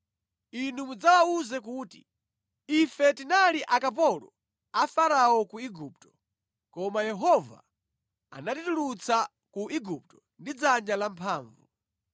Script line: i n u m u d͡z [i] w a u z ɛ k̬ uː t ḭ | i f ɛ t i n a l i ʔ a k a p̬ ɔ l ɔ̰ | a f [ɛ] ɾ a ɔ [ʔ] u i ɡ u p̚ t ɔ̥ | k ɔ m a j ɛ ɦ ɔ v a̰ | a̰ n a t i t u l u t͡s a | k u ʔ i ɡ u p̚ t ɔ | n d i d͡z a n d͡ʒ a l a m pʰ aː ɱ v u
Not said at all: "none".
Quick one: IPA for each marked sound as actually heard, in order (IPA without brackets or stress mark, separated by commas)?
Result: a, a, k